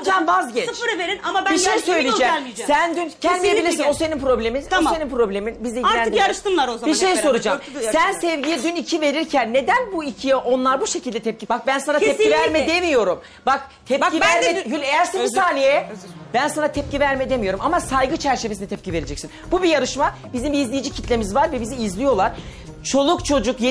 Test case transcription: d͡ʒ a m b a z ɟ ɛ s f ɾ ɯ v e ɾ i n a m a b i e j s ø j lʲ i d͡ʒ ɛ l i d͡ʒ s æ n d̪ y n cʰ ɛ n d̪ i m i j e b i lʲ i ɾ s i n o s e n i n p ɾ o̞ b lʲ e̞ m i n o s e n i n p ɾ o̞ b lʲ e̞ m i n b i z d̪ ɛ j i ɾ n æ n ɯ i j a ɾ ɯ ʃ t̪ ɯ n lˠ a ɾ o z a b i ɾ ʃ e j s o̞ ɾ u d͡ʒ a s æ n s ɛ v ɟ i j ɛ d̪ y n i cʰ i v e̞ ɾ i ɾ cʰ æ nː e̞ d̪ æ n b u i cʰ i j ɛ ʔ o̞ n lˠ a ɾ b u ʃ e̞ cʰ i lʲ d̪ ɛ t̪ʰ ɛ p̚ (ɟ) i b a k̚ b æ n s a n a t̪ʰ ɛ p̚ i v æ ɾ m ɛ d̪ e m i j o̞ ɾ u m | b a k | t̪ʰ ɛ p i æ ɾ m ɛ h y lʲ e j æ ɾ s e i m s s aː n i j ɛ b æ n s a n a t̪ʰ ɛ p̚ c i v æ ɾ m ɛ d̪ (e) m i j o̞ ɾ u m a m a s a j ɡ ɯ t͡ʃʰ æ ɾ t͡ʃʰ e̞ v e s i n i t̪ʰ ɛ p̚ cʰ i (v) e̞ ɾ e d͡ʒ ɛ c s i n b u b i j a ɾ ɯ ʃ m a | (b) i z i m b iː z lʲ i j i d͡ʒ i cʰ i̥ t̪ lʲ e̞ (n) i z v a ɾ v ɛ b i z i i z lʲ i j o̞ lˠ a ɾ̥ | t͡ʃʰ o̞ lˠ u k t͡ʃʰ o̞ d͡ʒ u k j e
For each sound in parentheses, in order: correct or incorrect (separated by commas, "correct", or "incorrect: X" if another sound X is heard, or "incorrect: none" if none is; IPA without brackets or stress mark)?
incorrect: c, correct, correct, correct, incorrect: m